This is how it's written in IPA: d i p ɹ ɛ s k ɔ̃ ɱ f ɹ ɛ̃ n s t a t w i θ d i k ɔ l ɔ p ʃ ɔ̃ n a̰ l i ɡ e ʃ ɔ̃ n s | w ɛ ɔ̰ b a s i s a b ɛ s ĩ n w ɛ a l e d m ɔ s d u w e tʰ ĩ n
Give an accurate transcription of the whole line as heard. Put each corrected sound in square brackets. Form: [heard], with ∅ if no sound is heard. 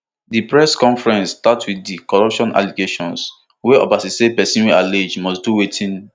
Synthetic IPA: d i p ɹ ɛ s k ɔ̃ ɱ f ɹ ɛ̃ n s t a t w i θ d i k ɔ [ɹ] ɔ p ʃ ɔ̃ n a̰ l i ɡ e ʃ ɔ̃ n s | w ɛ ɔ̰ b a s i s [e] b ɛ s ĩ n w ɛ a l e [d͡ʒ] m ɔ s d u w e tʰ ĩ n